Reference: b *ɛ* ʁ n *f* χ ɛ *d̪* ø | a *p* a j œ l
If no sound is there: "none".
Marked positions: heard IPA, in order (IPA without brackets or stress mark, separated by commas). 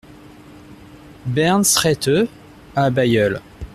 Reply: ɛ, s, t̪, b